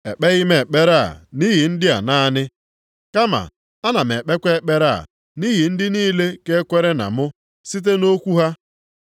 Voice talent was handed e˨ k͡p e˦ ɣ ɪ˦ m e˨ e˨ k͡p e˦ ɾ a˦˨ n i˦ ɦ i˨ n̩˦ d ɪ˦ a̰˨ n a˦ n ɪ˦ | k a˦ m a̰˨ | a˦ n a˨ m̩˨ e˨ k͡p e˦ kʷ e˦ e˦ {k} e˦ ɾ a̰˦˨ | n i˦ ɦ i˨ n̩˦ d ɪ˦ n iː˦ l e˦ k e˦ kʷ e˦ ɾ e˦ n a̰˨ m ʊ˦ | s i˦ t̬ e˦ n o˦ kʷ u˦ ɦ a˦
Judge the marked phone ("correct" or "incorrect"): incorrect